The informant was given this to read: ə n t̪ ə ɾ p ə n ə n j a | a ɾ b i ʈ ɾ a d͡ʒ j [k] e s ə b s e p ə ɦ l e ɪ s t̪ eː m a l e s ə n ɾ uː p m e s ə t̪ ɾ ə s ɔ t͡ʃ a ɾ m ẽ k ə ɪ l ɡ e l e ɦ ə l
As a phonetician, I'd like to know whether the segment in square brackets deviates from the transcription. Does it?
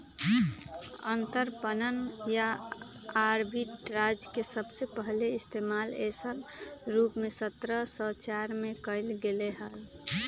no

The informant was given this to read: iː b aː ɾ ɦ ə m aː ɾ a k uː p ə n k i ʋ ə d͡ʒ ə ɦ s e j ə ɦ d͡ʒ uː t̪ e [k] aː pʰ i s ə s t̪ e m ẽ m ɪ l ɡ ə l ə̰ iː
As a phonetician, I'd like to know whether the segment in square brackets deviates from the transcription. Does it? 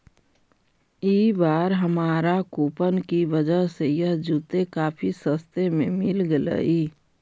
no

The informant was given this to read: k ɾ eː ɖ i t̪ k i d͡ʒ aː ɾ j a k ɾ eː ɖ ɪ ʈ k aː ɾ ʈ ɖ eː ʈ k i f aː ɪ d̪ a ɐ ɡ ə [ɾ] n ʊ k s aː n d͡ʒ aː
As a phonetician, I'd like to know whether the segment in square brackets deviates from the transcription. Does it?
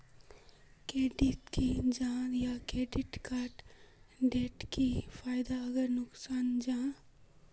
no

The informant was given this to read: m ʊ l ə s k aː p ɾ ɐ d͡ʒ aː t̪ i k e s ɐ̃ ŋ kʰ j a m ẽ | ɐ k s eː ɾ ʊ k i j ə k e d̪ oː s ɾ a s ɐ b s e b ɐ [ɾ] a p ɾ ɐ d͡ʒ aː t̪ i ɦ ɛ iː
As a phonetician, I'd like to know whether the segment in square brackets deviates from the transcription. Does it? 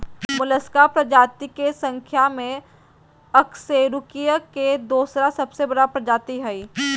yes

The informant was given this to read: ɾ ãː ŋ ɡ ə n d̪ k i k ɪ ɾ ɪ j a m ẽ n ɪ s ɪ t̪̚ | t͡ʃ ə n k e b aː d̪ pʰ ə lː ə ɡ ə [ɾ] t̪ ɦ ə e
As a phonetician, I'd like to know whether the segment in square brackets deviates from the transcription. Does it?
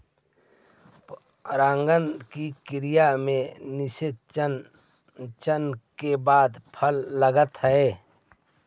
yes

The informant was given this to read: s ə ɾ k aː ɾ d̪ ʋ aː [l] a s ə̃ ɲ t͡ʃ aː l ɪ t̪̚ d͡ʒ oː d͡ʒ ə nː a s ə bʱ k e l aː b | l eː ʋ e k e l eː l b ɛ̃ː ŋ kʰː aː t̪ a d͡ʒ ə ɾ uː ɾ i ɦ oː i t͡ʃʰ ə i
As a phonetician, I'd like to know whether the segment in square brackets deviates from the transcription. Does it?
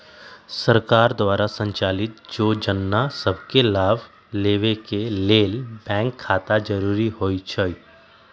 yes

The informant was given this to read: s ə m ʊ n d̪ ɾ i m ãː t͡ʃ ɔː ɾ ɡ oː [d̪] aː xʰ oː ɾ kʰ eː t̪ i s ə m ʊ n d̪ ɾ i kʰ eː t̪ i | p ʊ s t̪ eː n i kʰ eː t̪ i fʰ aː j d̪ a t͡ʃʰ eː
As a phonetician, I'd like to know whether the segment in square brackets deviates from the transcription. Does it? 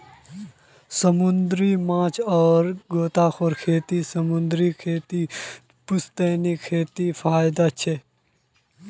yes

